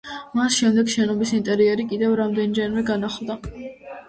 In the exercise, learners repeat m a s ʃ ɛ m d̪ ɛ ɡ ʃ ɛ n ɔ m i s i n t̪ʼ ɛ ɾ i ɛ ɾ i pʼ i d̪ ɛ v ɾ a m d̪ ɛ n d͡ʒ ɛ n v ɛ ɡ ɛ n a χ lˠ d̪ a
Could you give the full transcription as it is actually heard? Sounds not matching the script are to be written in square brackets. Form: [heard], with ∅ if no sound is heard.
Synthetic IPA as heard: m a s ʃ ɛ m d̪ ɛ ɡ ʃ ɛ n ɔ [b] i s i n t̪ʼ ɛ ɾ i ɛ ɾ i [kʼ] i d̪ ɛ v ɾ a m d̪ ɛ n d͡ʒ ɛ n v ɛ ɡ [a] n a χ lˠ d̪ a